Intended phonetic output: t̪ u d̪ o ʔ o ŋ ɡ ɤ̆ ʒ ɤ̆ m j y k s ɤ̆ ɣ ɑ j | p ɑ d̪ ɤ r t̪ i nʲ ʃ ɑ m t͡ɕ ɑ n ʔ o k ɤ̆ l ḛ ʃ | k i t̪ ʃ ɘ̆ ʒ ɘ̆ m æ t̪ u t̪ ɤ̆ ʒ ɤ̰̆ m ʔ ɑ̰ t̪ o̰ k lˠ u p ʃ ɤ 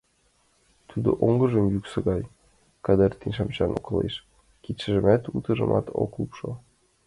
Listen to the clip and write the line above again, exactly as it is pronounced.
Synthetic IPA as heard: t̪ u d̪ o ʔ o ŋ ɡ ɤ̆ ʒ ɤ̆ m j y k s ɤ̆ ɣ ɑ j | k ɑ d̪ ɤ r t̪ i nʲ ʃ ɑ m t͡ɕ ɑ n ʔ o k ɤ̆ l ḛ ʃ | k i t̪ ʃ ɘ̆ ʒ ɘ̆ m æ t̪ u t̪ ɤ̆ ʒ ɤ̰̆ m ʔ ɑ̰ t̪ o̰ k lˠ u p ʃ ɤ